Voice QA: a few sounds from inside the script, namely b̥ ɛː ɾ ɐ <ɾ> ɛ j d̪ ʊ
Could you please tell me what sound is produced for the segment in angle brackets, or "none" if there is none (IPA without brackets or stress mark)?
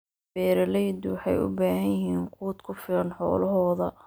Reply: l